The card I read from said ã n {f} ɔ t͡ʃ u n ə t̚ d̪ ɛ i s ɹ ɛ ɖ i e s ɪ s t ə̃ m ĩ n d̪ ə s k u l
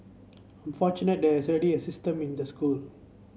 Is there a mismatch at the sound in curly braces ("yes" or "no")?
no